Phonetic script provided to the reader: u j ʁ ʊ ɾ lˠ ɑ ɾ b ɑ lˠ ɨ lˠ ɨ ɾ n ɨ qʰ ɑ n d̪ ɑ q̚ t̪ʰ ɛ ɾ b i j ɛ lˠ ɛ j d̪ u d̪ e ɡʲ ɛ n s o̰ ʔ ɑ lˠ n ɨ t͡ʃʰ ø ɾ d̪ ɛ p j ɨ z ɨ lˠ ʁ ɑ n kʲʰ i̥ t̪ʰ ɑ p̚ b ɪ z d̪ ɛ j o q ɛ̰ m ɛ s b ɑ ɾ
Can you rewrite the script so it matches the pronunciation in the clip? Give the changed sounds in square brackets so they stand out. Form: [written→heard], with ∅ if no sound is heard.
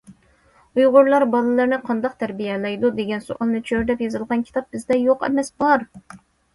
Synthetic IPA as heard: u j ʁ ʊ ɾ lˠ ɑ ɾ b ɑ lˠ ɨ lˠ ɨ ɾ n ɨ qʰ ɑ n d̪ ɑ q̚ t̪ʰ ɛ ɾ b i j ɛ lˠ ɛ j d̪ u d̪ e ɡʲ ɛ n s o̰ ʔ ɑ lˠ n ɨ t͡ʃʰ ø ɾ d̪ ɛ p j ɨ z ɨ lˠ ʁ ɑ n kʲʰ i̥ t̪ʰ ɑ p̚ b ɪ z d̪ ɛ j o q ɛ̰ m ɛ s b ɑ ɾ

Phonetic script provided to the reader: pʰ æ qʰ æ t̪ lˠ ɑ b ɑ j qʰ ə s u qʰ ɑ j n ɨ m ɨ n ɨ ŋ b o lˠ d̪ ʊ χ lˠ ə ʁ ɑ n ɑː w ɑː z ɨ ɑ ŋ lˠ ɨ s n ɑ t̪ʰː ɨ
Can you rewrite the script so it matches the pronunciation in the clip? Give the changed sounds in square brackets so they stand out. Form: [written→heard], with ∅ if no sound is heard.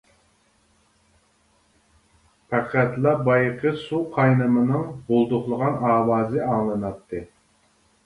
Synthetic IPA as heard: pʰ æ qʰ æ t̪ lˠ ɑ b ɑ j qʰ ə s u qʰ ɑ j n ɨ m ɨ n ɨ ŋ b o lˠ d̪ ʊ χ lˠ ə ʁ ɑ n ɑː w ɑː z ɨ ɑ ŋ lˠ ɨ [s→∅] n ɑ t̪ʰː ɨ

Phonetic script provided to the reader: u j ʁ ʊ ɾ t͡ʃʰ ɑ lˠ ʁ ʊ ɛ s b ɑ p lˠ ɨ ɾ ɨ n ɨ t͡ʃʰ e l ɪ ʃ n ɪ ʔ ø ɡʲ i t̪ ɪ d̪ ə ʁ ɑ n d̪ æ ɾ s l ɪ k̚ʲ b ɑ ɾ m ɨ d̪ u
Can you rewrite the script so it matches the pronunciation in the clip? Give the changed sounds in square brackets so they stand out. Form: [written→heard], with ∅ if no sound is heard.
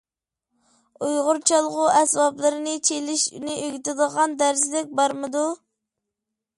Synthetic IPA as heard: u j ʁ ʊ ɾ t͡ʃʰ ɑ lˠ ʁ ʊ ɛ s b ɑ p lˠ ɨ ɾ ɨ n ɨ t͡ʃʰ e l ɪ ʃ n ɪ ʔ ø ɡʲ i t̪ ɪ d̪ ə ʁ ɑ n d̪ æ ɾ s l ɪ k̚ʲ b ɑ ɾ m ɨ d̪ u

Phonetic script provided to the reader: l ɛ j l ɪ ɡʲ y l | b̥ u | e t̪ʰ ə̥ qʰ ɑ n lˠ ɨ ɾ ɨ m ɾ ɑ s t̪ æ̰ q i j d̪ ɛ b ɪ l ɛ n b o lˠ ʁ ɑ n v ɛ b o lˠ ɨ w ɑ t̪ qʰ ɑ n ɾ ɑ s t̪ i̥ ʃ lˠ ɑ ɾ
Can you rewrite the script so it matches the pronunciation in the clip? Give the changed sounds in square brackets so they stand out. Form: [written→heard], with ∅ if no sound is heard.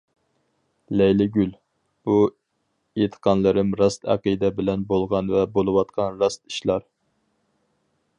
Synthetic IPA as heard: l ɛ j l ɪ ɡʲ y l | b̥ u | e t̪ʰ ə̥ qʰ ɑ n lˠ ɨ ɾ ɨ m ɾ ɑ s t̪ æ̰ q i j d̪ ɛ b ɪ l ɛ n b o lˠ ʁ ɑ n v ɛ b o lˠ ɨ w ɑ t̪ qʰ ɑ n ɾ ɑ s t̪ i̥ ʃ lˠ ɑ ɾ

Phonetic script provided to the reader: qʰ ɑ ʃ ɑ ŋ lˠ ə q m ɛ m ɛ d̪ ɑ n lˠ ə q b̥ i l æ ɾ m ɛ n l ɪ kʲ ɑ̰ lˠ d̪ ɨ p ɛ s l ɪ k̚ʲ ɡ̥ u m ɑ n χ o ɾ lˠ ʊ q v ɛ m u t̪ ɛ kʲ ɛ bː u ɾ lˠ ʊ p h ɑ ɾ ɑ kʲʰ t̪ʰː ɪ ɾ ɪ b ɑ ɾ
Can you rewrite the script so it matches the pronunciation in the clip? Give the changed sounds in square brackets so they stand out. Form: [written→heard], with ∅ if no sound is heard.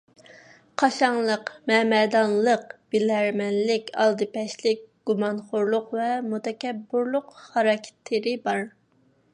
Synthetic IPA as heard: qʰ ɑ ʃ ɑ ŋ lˠ ə q m ɛ m ɛ d̪ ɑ n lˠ ə q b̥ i l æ ɾ m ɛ n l ɪ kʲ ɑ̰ lˠ d̪ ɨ p ɛ [s→ʃ] l ɪ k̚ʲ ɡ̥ u m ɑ n χ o ɾ lˠ ʊ q v ɛ m u t̪ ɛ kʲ ɛ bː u ɾ lˠ ʊ [p→q] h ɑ ɾ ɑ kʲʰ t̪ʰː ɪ ɾ ɪ b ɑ ɾ

